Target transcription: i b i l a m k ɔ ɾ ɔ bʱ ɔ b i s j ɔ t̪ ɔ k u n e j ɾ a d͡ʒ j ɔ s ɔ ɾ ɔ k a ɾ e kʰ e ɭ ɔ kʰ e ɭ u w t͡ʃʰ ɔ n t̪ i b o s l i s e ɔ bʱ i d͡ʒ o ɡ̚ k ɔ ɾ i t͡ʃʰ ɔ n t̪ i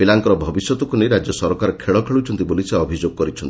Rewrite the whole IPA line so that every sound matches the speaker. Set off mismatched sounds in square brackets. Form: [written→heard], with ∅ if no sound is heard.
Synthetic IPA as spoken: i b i l a [m→ŋ] k ɔ ɾ ɔ bʱ ɔ b i s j ɔ t̪ ɔ k u n e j ɾ a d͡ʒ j ɔ s ɔ ɾ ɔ k a ɾ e kʰ e ɭ ɔ kʰ e ɭ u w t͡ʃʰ ɔ n t̪ i b o [s→∅] l i s e ɔ bʱ i d͡ʒ o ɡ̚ k ɔ ɾ i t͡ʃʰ ɔ n t̪ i